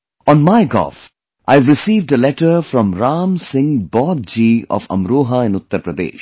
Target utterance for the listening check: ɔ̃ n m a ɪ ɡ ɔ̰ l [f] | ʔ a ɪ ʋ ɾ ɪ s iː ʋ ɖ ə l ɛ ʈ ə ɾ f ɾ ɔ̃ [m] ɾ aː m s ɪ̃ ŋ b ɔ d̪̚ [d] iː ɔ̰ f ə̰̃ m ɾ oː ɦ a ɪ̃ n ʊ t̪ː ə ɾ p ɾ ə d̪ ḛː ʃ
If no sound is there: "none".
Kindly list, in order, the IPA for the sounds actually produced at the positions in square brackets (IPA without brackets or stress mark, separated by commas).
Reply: f, m, d͡ʒ